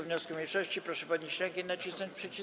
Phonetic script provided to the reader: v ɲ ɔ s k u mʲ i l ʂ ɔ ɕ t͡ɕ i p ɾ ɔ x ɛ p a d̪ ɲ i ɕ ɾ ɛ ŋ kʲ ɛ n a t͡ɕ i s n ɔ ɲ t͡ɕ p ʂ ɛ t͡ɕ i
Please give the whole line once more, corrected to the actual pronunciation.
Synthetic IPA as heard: v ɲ ɔ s k u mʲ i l ʂ ɔ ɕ t͡ɕ i p ɾ ɔ ʂ ɛ p a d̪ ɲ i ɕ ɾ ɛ ŋ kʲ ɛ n a t͡ɕ i s n ɔ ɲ t͡ɕ p ʂ ɛ t͡ɕ i